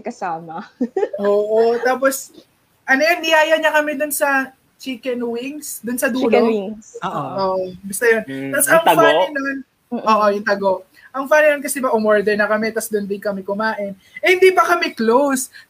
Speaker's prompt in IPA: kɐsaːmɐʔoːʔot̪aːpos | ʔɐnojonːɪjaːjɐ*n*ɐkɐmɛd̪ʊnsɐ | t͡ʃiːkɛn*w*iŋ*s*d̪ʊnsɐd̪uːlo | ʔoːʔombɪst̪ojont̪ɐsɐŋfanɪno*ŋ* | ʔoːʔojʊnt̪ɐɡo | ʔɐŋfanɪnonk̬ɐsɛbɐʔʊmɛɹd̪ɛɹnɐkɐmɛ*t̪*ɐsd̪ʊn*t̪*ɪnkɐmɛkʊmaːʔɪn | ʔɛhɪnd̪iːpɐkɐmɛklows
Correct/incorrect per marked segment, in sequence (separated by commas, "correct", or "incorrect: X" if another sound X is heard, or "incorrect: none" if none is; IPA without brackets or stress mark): incorrect: ɲ, correct, correct, incorrect: n, correct, incorrect: d̪